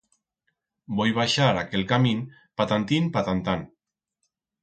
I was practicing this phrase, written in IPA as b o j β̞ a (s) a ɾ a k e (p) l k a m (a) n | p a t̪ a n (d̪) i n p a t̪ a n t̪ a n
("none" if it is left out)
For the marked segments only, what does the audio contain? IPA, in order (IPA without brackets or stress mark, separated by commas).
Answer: ʃ, none, i, t̪